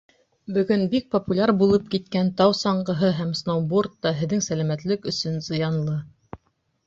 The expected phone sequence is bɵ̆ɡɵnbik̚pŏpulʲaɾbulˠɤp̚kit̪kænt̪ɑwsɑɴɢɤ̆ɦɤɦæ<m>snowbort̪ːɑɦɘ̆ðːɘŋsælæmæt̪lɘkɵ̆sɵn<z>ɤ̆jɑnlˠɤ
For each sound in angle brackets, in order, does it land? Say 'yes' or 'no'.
yes, yes

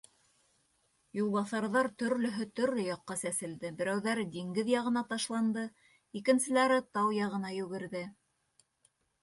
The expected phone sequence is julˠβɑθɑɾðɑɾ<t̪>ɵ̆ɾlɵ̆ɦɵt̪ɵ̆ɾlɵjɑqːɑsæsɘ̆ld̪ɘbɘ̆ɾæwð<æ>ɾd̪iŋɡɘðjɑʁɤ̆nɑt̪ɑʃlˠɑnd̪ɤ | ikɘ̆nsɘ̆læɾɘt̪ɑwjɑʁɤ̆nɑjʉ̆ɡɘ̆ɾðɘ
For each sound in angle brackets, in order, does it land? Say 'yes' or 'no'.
yes, yes

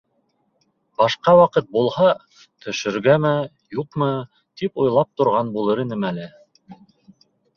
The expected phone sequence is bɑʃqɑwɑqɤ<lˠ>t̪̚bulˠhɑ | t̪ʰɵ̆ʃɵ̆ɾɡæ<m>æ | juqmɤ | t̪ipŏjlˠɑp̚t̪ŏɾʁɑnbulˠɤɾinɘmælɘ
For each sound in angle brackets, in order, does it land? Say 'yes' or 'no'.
no, yes

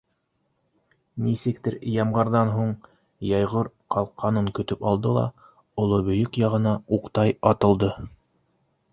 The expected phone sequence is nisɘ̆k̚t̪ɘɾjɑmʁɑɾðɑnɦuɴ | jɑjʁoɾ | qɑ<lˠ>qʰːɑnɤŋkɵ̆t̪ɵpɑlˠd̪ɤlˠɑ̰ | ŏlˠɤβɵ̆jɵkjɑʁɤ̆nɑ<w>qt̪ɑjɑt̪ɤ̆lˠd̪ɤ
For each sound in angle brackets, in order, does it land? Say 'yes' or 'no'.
yes, no

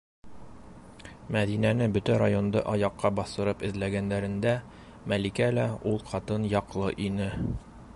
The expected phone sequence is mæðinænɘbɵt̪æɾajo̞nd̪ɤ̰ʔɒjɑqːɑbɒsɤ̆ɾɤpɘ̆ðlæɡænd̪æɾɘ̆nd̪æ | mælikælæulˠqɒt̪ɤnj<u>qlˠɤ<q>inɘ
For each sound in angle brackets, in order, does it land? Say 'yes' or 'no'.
no, no

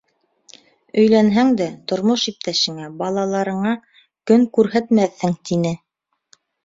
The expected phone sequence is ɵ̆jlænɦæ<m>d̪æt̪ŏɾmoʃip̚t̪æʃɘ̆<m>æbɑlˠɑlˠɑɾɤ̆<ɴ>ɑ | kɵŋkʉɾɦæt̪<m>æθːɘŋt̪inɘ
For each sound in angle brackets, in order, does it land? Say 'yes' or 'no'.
no, no, yes, yes

